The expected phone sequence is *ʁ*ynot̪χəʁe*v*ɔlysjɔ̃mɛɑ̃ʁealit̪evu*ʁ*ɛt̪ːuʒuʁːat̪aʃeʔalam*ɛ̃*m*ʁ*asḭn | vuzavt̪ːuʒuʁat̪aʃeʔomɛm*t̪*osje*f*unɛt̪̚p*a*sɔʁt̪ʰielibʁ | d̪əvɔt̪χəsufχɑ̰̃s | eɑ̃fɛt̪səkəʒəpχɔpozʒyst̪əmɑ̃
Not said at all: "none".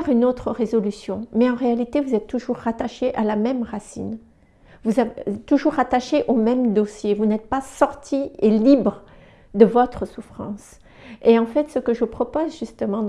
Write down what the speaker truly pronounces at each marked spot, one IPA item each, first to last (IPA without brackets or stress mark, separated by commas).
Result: ʁ, z, z, ɛ, ʁ, d̪, v, a